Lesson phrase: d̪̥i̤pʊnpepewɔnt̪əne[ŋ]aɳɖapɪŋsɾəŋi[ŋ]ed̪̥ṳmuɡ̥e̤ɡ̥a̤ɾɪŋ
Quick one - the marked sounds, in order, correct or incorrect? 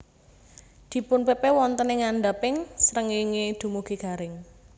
correct, correct

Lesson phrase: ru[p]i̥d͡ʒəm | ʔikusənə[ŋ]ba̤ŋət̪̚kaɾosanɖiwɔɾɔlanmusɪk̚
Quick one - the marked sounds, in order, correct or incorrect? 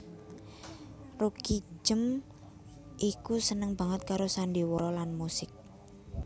incorrect: k, correct

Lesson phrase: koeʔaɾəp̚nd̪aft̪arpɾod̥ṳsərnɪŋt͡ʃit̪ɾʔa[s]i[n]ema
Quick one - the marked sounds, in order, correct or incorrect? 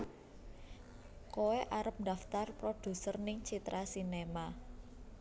correct, correct

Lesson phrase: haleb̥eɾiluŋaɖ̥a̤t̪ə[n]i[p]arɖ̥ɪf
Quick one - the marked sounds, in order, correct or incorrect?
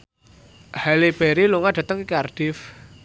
incorrect: ŋ, incorrect: k

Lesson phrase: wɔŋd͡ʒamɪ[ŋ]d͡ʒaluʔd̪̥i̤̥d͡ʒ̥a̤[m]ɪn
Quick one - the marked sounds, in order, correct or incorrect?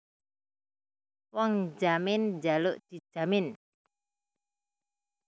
incorrect: n, correct

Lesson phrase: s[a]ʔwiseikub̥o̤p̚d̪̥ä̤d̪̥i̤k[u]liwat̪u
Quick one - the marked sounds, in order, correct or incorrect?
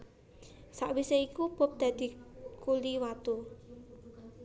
correct, correct

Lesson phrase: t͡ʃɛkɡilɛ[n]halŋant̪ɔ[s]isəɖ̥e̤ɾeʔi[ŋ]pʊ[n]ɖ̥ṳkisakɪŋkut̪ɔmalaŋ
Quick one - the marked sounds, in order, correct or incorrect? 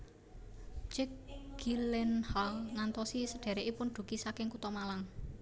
correct, correct, incorrect: none, correct

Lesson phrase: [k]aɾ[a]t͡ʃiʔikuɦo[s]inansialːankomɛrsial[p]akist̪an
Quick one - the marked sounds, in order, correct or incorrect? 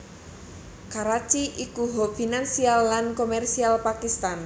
correct, correct, incorrect: f, correct

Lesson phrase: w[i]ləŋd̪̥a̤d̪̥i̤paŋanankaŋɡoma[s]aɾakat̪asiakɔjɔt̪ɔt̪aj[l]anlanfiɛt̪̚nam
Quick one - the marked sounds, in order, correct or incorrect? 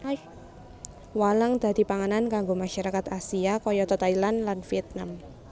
incorrect: a, incorrect: ʃ, correct

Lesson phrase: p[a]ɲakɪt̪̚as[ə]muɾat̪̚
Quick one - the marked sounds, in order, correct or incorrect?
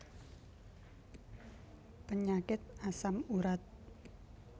incorrect: ə, incorrect: a

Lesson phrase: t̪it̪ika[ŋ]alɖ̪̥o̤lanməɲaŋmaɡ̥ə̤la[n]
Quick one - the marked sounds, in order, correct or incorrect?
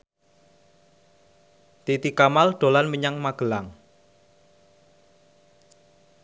incorrect: m, incorrect: ŋ

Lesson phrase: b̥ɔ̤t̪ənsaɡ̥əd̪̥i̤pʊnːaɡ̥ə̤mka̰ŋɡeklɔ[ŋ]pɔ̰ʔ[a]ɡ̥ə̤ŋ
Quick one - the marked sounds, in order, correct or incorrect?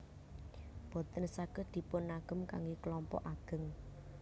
incorrect: m, correct

